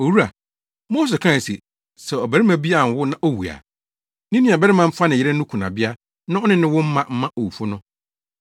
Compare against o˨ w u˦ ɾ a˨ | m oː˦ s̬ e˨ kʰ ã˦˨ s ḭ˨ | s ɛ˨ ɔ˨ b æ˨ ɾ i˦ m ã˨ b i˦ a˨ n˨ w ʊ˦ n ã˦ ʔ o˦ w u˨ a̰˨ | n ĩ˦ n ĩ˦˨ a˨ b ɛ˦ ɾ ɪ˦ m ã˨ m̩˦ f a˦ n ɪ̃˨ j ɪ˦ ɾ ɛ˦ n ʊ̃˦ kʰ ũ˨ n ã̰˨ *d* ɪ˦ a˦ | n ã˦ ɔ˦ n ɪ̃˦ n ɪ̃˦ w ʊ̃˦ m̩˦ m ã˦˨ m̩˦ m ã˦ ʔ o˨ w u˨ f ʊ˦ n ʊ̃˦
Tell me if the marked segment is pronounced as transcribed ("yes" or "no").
no